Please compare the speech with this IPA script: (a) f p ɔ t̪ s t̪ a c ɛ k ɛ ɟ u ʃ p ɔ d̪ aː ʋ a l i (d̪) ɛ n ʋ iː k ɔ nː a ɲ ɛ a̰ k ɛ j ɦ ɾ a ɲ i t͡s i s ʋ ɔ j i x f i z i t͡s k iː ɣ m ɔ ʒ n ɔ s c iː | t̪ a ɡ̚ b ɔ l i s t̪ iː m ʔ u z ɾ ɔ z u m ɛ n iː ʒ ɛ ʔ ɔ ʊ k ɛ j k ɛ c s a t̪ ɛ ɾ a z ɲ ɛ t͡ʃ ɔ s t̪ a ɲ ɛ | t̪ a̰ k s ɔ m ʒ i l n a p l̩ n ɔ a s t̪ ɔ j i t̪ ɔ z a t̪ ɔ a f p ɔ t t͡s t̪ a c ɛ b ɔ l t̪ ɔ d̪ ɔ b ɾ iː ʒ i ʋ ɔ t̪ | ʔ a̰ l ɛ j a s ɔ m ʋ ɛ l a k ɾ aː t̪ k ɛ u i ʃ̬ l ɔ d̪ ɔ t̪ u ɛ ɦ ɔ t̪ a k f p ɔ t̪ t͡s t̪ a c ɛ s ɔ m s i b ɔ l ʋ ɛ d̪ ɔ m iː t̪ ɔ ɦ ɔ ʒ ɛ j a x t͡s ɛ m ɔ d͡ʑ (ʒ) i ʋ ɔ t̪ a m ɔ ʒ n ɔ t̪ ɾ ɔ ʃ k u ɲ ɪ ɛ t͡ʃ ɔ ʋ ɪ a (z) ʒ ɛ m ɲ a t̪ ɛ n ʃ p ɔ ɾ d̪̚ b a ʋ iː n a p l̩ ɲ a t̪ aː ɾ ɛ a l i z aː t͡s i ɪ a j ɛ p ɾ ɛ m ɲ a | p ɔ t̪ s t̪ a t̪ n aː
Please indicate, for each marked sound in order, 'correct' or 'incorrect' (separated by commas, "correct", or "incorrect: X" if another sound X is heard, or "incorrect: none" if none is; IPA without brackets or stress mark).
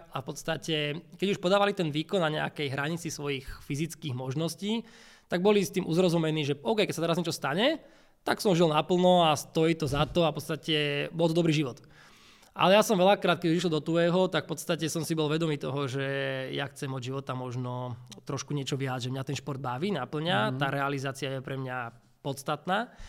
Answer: correct, incorrect: t̪, correct, incorrect: d͡z